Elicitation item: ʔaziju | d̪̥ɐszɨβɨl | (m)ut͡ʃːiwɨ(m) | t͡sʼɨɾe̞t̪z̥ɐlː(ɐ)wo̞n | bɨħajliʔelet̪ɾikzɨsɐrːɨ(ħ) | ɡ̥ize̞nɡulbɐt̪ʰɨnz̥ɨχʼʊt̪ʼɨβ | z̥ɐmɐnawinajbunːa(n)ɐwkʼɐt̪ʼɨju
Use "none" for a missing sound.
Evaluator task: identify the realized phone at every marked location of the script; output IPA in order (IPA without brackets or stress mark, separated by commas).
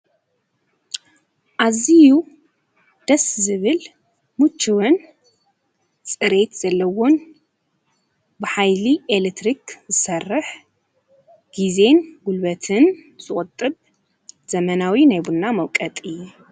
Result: m, n, ɐ, ħ, m